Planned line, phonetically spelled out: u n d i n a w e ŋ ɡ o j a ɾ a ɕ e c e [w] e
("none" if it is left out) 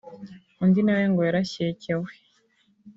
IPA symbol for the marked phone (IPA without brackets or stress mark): w